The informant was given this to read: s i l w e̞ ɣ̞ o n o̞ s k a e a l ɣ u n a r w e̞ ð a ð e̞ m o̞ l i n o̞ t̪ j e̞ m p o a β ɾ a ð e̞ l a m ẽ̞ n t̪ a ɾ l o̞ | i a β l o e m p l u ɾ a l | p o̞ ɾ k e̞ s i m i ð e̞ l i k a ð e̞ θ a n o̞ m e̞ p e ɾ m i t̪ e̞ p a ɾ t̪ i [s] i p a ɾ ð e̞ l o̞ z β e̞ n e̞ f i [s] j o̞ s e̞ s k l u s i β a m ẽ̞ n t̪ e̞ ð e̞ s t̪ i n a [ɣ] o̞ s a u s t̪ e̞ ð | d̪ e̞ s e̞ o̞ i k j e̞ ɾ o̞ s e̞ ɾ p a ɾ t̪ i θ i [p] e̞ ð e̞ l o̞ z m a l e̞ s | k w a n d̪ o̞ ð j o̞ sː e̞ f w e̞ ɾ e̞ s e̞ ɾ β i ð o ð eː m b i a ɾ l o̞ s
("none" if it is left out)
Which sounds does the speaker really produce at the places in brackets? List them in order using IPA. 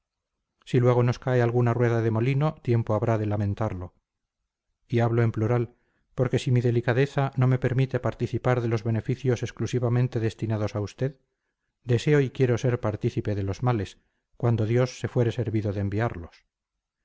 θ, θ, ð, p

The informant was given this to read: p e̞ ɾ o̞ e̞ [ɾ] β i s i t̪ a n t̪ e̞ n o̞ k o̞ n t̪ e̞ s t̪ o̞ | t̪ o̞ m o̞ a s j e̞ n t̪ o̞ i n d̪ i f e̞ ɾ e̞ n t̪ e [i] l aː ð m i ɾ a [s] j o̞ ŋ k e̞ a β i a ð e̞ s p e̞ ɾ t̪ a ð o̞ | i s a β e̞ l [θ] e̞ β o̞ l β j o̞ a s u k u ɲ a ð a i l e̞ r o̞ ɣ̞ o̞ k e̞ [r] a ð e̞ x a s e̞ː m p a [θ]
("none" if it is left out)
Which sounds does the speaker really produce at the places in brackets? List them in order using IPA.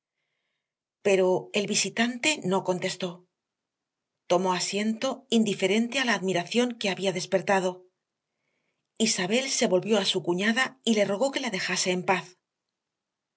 l, a, θ, s, l, θ

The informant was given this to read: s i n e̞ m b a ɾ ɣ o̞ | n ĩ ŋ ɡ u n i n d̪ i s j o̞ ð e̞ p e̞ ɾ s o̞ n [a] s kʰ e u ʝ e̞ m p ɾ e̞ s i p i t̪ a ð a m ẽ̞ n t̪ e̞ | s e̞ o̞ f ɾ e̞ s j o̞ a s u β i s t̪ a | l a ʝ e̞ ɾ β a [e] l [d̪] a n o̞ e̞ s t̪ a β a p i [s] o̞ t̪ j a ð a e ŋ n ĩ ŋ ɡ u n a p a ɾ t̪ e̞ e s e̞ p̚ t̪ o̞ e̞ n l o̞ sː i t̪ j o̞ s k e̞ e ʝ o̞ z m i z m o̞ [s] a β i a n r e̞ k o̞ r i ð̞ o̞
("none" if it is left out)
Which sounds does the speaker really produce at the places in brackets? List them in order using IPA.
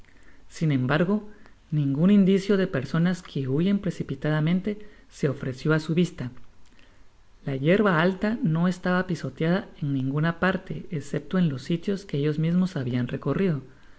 a, a, t̪, s, s

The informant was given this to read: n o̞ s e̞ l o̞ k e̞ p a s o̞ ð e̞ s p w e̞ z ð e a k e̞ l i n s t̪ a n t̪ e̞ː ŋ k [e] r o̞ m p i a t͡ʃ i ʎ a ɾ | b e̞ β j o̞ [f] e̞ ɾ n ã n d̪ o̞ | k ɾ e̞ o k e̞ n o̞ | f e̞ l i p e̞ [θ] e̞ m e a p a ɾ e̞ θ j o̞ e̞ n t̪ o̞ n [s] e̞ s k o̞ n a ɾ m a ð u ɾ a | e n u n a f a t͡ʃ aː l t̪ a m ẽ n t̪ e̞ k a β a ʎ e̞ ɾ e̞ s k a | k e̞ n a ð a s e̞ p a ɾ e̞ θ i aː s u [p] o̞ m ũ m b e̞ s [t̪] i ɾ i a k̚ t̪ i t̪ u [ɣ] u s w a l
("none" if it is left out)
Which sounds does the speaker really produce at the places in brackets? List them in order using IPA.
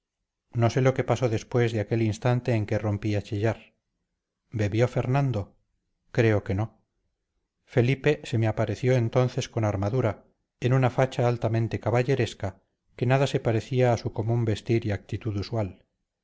e, f, s, θ, k, t̪, ð

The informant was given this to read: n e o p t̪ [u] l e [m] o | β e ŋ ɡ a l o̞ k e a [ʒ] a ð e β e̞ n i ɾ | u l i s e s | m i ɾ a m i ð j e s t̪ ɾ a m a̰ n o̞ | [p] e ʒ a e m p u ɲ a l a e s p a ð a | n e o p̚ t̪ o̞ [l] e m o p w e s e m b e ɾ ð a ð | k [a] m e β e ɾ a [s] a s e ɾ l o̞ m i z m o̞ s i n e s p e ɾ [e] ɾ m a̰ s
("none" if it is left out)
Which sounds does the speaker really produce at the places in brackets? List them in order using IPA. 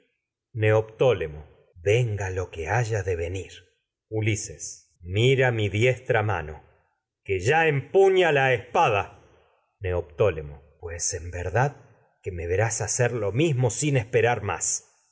o, m, ʒ, k, l, e, s, a

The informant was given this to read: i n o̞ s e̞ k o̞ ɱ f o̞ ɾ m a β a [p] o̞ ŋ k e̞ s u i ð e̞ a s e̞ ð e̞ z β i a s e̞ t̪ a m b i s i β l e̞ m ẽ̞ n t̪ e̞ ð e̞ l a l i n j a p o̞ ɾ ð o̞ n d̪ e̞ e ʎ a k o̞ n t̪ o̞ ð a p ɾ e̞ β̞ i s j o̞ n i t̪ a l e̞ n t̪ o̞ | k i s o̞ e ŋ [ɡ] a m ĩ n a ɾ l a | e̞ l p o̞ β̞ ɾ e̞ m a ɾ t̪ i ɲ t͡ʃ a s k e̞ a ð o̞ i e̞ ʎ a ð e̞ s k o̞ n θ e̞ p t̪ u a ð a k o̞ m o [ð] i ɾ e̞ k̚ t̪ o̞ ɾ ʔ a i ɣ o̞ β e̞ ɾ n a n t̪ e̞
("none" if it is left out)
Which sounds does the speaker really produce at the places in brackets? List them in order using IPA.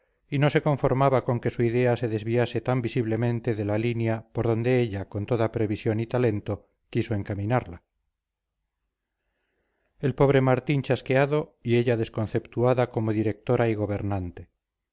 k, k, ð

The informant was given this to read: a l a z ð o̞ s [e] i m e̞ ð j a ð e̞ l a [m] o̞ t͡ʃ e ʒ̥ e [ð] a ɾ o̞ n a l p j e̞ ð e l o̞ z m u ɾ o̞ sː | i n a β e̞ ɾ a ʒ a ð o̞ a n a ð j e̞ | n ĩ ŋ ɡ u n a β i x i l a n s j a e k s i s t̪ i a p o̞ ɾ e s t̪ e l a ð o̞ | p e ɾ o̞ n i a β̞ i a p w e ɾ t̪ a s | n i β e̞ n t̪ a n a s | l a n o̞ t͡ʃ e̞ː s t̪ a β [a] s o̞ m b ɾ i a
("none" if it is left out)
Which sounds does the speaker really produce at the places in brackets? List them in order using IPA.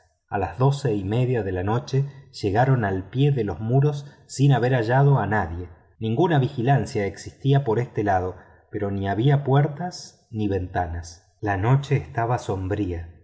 e, n, ɣ, a

